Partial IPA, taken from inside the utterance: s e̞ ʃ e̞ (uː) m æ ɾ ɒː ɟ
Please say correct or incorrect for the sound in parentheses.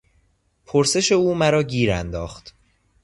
correct